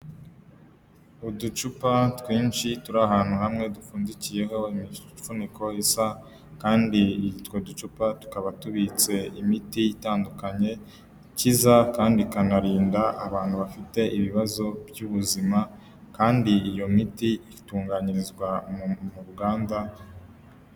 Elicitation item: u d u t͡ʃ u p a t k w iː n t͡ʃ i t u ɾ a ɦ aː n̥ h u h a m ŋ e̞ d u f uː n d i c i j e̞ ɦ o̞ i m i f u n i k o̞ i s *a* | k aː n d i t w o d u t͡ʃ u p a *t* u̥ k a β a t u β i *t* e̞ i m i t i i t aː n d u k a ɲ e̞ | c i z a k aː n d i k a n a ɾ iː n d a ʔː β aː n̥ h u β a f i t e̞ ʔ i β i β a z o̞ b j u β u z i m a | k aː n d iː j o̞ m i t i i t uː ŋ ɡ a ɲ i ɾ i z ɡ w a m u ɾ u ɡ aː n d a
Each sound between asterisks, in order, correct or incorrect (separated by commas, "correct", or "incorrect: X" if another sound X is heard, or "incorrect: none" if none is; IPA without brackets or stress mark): correct, correct, incorrect: t͡s